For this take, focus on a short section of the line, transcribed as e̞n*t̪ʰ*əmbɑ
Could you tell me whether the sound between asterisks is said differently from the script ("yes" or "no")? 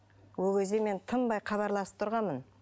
no